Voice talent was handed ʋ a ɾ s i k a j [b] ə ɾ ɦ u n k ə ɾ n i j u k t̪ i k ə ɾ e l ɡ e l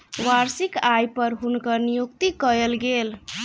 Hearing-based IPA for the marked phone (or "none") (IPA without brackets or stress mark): p